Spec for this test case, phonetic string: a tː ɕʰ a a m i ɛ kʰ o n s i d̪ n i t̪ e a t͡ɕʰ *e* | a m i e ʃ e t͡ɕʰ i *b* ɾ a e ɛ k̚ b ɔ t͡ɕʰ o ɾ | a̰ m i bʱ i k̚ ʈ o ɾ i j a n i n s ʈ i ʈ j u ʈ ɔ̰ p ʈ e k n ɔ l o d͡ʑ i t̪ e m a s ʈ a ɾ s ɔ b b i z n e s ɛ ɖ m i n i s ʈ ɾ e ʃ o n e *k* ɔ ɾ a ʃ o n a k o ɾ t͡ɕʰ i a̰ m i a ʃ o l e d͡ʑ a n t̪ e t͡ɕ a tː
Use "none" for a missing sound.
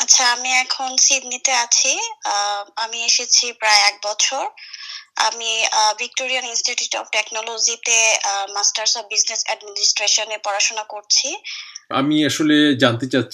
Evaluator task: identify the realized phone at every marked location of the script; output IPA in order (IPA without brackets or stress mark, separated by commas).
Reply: i, p, p